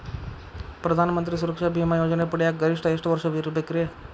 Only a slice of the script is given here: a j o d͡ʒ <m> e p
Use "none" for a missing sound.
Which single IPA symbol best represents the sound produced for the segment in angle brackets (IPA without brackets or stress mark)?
n